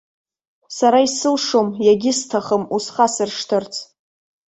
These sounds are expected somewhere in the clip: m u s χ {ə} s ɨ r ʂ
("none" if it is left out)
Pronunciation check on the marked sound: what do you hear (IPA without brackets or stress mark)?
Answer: a